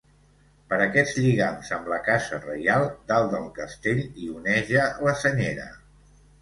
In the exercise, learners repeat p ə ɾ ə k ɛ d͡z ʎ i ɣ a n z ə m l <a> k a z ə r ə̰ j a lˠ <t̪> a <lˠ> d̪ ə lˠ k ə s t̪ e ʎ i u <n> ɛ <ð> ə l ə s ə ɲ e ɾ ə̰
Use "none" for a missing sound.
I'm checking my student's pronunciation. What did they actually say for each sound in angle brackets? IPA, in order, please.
ə, d̪, lˠ, n, ʒ

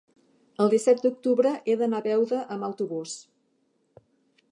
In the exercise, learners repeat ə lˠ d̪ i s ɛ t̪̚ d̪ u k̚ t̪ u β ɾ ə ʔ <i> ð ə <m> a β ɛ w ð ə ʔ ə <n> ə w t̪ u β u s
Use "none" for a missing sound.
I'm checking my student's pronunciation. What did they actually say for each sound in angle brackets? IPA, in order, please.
e, n, m

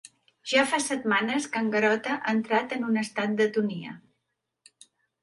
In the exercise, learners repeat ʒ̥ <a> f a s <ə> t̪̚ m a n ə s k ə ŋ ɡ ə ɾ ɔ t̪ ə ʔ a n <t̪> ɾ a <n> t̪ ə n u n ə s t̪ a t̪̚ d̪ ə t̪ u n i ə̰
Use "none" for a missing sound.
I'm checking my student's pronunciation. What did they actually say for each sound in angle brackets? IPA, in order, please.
a, ə, t̪, none

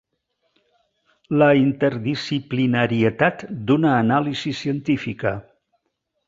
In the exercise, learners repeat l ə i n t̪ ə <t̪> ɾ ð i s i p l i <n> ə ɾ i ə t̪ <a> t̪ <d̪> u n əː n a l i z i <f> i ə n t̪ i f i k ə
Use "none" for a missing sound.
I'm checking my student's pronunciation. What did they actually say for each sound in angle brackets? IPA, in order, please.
none, n, a, d̪, s

